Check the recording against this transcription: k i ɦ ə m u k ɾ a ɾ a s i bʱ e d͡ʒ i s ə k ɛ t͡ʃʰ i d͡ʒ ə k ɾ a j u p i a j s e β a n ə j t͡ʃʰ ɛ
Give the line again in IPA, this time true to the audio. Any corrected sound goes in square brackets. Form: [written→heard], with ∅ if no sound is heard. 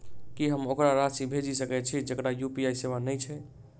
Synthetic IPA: k i ɦ ə m [u→o] k ɾ a ɾ a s i bʱ e d͡ʒ i s ə k ɛ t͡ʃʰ i d͡ʒ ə k ɾ a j u p i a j s e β a n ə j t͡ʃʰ ɛ